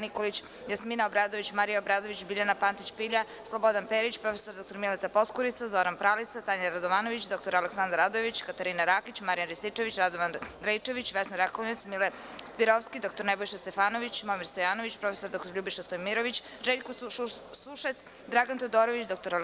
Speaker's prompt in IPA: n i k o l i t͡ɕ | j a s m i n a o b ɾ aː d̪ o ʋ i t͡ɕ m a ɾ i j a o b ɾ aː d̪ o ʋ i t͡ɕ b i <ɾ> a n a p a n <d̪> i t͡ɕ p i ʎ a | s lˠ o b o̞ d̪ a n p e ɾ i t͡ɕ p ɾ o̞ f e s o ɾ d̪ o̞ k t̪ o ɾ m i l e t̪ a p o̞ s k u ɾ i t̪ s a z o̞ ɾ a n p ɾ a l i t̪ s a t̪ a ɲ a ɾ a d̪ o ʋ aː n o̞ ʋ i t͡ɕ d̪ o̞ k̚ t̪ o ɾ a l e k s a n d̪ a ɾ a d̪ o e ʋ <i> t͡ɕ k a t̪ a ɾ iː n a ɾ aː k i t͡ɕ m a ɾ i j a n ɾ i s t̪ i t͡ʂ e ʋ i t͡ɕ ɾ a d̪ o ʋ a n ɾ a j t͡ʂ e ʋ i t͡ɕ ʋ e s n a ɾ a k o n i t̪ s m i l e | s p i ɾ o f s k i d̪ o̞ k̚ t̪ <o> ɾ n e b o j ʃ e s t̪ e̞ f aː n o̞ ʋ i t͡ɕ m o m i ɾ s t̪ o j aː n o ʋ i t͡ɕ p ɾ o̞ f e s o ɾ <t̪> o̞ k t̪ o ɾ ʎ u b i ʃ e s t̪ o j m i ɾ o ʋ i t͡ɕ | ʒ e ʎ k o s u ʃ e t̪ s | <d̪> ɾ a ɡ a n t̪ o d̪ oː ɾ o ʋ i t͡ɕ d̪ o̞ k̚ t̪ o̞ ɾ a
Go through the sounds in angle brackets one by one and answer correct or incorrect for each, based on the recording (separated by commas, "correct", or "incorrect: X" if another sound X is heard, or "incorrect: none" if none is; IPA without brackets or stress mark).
incorrect: ʎ, incorrect: t̪, correct, correct, incorrect: d̪, correct